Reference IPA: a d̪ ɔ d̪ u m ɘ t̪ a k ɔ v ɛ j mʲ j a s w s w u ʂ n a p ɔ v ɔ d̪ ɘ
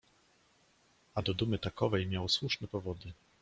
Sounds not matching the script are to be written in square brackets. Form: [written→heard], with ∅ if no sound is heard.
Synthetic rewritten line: a d̪ ɔ d̪ u m ɘ t̪ a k ɔ v ɛ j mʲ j a [s→∅] w s w u ʂ n [a→ɛ] p ɔ v ɔ d̪ ɘ